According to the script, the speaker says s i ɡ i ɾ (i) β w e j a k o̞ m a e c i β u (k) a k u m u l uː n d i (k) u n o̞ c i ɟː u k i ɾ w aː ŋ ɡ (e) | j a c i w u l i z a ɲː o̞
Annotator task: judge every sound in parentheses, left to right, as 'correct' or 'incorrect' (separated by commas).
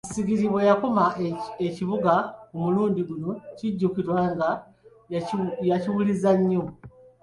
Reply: correct, incorrect, incorrect, incorrect